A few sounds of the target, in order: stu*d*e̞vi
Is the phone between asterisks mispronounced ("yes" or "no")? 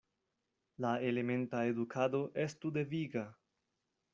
no